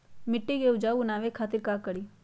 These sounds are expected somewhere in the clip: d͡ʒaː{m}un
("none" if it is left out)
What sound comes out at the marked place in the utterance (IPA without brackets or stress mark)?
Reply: none